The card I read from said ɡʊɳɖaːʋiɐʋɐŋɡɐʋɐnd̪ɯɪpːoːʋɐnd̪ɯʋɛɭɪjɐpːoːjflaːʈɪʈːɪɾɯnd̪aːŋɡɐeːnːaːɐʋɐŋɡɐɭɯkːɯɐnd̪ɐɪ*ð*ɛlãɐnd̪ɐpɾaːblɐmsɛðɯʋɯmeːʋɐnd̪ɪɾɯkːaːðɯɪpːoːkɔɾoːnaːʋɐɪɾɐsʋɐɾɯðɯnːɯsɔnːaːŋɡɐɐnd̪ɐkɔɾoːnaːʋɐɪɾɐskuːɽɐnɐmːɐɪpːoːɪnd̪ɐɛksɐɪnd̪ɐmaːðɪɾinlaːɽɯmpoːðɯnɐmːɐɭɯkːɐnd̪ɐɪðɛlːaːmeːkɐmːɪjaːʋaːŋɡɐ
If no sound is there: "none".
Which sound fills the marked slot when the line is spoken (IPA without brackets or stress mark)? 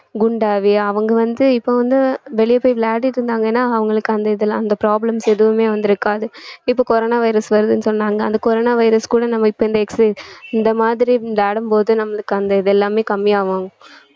ð